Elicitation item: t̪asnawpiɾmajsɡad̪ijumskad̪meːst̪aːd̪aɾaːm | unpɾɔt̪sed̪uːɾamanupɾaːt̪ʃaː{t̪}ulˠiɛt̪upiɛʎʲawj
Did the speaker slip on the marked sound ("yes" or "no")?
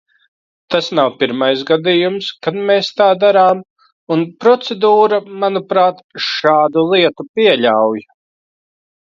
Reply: yes